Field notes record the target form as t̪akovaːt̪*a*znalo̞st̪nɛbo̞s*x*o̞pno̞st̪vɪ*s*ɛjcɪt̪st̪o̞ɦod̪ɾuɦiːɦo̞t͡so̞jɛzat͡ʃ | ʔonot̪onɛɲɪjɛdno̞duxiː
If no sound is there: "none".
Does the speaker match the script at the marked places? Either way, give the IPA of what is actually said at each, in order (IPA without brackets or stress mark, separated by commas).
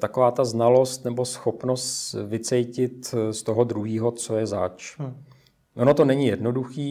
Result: a, x, t͡s